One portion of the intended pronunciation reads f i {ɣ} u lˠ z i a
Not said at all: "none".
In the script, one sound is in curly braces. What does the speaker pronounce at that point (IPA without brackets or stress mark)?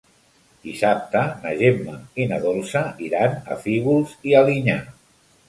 ɣ